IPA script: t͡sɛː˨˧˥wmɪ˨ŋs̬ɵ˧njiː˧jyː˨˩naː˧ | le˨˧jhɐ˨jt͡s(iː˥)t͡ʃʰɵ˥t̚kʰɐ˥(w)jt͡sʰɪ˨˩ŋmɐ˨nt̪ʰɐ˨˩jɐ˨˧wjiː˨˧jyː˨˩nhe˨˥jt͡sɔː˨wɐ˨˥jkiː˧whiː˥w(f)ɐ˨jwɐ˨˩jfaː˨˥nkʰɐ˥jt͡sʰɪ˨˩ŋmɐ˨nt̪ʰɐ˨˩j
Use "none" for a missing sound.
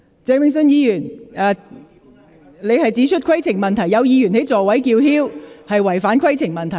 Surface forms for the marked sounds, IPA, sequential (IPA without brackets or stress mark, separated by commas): iː˨˥, none, h